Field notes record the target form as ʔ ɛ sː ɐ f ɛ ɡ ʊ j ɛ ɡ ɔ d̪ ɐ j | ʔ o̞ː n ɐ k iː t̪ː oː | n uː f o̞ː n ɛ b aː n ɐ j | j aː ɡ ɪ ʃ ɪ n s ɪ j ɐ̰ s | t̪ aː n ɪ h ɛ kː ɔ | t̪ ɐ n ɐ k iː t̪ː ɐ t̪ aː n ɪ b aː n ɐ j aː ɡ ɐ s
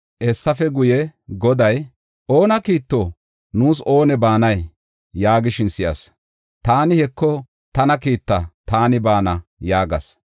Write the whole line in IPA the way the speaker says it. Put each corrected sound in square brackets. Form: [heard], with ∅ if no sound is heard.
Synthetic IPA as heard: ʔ ɛ sː ɐ f ɛ ɡ ʊ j ɛ ɡ ɔ d̪ ɐ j | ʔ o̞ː n ɐ k iː t̪ː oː | n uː [s] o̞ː n ɛ b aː n ɐ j | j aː ɡ ɪ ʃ ɪ n s ɪ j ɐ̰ s | t̪ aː n ɪ h ɛ kː ɔ | t̪ ɐ n ɐ k iː t̪ː ɐ t̪ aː n ɪ b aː n ɐ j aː ɡ ɐ s